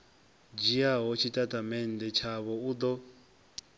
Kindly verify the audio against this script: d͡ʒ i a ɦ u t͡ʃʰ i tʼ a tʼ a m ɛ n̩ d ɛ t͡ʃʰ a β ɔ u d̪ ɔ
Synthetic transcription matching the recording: d͡ʒ i a ɦ ɔ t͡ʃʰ i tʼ a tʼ a m ɛ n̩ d ɛ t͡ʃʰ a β ɔ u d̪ ɔ